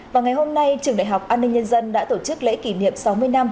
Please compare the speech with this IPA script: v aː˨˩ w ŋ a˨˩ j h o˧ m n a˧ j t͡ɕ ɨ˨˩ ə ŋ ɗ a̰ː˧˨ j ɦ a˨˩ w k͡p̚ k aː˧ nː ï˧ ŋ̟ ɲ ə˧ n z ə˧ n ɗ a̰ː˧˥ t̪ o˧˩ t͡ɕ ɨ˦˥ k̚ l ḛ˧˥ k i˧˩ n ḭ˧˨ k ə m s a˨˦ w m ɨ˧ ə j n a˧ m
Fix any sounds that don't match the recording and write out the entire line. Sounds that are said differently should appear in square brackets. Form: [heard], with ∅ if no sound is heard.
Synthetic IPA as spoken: v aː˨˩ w ŋ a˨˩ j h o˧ m n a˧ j t͡ɕ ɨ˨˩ ə ŋ ɗ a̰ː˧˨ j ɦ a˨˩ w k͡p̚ [ʔ] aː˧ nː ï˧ ŋ̟ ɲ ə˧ n z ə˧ n ɗ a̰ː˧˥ t̪ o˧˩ t͡ɕ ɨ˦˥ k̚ l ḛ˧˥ k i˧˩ n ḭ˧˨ [∅] ə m s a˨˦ w m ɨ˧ ə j n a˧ m